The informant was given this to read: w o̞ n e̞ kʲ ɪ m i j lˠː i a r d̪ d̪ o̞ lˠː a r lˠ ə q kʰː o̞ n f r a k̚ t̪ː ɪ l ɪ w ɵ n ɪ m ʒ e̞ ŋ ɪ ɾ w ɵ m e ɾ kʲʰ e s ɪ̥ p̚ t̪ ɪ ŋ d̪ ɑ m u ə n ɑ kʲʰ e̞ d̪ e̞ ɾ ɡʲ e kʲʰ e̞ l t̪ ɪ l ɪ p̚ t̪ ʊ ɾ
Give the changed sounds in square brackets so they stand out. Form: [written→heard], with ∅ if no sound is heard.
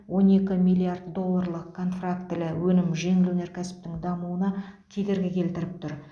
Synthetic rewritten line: w o̞ n e̞ kʲ ɪ m i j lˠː i a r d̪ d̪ o̞ lˠː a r lˠ ə q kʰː o̞ n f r a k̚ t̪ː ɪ l ɪ w ɵ n ɪ m ʒ e̞ ŋ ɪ [ɾ→l] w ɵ [m→n] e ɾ kʲʰ [e→æ] s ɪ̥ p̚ t̪ ɪ ŋ d̪ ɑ m u ə n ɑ kʲʰ e̞ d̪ e̞ ɾ ɡʲ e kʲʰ e̞ l t̪ ɪ [l→ɾ] ɪ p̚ t̪ ʊ ɾ

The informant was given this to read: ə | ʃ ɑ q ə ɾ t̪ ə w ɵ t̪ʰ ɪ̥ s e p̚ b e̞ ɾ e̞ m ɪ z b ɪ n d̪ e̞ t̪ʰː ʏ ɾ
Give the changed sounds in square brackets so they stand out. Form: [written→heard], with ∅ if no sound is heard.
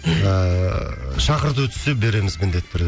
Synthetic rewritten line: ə | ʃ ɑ q ə ɾ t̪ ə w ɵ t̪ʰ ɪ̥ s e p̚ b e̞ ɾ e̞ m ɪ z [b→m] ɪ n d̪ e̞ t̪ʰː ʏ ɾ

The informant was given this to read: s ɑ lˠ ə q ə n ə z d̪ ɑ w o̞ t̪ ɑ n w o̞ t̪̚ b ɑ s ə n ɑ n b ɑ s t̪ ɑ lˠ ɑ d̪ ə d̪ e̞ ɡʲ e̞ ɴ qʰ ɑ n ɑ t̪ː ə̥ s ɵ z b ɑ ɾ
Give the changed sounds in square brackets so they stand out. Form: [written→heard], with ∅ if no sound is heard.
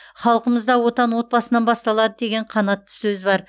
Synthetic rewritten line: [s→χ] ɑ lˠ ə q ə [n→m] ə z d̪ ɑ w o̞ t̪ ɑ n w o̞ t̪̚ b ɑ s ə n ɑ n b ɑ s t̪ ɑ lˠ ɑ d̪ ə d̪ e̞ ɡʲ e̞ ɴ qʰ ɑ n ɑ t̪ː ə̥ s ɵ z b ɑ ɾ

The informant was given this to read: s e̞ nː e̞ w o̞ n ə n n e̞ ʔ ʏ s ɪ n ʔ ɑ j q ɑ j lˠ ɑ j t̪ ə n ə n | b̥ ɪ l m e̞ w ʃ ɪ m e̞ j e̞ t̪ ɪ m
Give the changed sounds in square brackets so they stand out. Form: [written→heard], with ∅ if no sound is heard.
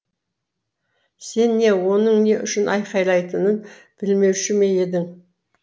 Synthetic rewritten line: s e̞ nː e̞ w o̞ n ə [n→ɴ] n e̞ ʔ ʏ [s→ʃ] ɪ n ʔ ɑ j q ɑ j lˠ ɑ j t̪ ə n ə n | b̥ ɪ l m e̞ w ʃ ɪ m e̞ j e̞ [t̪→d̪] ɪ [m→ŋ]

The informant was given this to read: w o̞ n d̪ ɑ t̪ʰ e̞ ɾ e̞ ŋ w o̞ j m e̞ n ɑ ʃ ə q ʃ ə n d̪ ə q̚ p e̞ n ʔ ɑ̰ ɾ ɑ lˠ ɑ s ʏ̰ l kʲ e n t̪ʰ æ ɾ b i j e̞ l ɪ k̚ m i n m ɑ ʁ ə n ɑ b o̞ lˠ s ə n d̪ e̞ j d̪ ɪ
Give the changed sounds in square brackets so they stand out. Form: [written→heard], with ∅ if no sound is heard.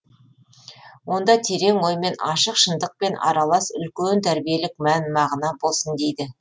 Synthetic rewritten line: w o̞ n d̪ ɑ t̪ʰ e̞ ɾ e̞ ŋ w o̞ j m e̞ n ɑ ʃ ə q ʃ ə n d̪ ə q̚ p e̞ n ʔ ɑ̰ ɾ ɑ lˠ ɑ s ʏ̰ l kʲ e n t̪ʰ æ ɾ b i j e̞ l ɪ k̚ m [i→æ] n m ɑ ʁ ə n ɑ b o̞ lˠ s ə n d̪ e̞ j d̪ ɪ

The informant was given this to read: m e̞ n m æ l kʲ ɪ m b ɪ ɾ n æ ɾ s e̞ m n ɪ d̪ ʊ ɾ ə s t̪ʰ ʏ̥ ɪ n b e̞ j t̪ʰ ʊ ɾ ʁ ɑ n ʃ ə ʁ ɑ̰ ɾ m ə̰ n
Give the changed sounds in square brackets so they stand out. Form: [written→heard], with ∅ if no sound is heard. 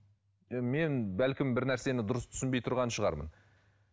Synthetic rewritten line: m e̞ n [m→b] æ l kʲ ɪ m b ɪ ɾ n æ ɾ s e̞ [m→∅] n ɪ d̪ ʊ ɾ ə s t̪ʰ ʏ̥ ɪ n b e̞ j t̪ʰ ʊ ɾ ʁ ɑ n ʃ ə ʁ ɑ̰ ɾ m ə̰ n

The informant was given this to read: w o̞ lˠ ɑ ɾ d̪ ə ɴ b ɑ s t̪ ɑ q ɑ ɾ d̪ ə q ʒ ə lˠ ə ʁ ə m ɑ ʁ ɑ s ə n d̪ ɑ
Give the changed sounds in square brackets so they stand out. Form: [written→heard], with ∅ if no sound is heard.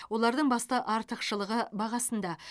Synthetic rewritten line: w o̞ lˠ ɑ ɾ d̪ ə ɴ b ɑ s t̪ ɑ [q→ʔ] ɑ ɾ [d̪→t̪] ə q [ʒ→ʃ] ə lˠ ə ʁ ə [m→b] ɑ ʁ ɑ s ə n d̪ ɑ

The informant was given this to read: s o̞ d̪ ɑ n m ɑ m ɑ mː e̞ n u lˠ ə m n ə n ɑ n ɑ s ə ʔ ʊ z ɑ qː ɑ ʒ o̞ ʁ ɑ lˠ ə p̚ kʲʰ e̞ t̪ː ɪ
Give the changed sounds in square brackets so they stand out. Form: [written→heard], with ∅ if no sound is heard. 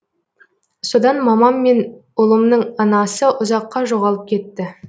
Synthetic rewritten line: s o̞ d̪ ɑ n m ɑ m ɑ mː e̞ n [u→ʊ] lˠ ə m n ə [n→ɴ] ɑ n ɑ s ə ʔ ʊ z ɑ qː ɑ ʒ o̞ ʁ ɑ lˠ ə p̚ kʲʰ e̞ t̪ː ɪ

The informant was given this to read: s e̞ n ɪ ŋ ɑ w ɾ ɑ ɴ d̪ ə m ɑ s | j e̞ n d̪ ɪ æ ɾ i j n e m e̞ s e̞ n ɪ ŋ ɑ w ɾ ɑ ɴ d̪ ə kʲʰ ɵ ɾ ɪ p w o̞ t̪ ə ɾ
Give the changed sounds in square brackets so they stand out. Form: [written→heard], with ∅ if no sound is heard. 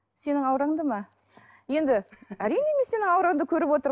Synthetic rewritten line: s e̞ n ɪ ŋ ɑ w ɾ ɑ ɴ d̪ ə m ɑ [s→∅] | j e̞ n d̪ ɪ æ ɾ i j n e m e̞ s e̞ n ɪ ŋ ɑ w ɾ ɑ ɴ d̪ ə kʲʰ ɵ ɾ ɪ p w o̞ t̪ ə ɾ

